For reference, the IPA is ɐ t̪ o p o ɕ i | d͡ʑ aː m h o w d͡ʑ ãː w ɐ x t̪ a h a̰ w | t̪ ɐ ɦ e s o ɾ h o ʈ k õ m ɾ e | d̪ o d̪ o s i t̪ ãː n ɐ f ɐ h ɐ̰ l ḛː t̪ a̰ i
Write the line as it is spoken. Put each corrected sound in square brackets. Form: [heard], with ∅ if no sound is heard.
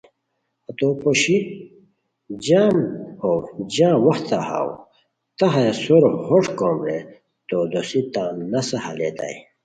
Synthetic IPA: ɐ t̪ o p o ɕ i | d͡ʑ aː m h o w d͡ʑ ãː w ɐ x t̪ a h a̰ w | t̪ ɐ ɦ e s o ɾ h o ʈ k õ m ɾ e | [t̪] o d̪ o s i t̪ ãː n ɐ [s] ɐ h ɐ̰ l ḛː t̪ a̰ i